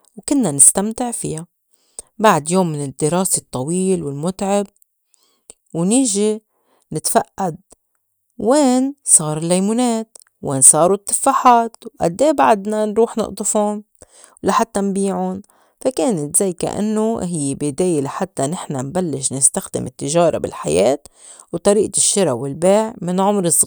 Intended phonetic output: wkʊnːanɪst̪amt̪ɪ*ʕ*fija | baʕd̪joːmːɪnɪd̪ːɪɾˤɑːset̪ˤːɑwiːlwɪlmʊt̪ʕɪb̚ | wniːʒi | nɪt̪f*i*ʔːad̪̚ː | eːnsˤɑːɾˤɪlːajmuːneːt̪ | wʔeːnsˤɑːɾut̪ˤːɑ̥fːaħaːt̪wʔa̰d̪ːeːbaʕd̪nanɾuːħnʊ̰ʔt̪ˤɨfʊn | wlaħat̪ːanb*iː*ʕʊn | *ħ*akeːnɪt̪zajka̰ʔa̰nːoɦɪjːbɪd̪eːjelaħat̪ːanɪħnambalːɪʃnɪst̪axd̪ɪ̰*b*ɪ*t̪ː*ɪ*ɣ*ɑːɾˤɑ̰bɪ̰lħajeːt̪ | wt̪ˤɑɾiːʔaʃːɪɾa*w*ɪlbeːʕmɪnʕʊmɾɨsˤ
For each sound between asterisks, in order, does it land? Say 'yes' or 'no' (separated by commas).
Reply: yes, no, yes, no, no, yes, no, yes